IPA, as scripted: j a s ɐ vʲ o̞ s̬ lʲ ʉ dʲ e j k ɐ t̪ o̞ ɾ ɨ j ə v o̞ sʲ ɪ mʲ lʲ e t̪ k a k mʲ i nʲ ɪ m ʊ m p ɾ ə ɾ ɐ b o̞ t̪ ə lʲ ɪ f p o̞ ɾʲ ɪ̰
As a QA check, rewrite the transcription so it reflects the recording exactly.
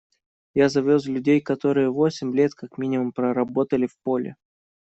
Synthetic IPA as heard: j a z ɐ vʲ o̞ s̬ lʲ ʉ dʲ e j k ɐ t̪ o̞ ɾ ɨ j ə v o̞ sʲ ɪ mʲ lʲ e t̪ k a k mʲ i nʲ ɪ m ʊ m p ɾ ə ɾ ɐ b o̞ t̪ ə lʲ ɪ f p o̞ lʲ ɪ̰